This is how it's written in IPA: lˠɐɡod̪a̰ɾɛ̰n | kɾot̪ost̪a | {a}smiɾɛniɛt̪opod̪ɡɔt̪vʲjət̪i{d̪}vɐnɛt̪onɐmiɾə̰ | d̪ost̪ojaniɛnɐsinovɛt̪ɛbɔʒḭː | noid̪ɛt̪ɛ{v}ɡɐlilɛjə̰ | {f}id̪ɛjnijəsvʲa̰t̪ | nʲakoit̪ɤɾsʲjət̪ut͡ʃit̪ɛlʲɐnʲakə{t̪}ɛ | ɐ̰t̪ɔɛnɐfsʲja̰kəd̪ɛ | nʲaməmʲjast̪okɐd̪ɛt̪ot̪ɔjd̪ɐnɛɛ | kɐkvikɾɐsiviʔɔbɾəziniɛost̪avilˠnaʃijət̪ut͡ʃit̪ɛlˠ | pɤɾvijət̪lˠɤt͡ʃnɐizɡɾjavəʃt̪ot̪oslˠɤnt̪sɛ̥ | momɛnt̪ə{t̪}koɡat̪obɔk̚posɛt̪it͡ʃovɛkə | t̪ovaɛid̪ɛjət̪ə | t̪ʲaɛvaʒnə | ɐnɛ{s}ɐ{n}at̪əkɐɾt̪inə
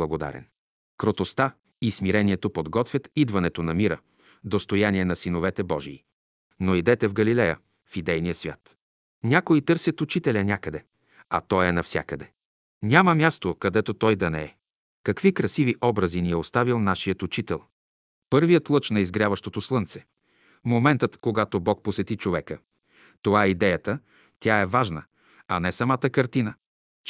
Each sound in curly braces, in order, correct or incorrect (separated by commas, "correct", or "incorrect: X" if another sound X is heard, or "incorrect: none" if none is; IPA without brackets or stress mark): incorrect: i, correct, correct, correct, incorrect: d̪, correct, correct, incorrect: m